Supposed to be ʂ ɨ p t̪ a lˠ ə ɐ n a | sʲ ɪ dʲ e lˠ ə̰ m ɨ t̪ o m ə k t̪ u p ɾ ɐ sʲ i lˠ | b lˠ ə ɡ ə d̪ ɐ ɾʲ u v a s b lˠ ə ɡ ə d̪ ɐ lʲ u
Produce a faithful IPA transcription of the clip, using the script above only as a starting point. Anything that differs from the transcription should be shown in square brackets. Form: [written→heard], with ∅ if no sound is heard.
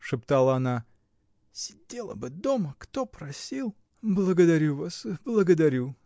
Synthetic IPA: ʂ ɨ p t̪ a lˠ ə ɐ n a | sʲ ɪ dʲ e lˠ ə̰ [m→b] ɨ [t̪→d̪] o m ə k t̪ [u→o] p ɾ ɐ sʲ i lˠ | b lˠ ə ɡ ə d̪ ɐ ɾʲ u v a s b lˠ ə ɡ ə d̪ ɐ [lʲ→ɾʲ] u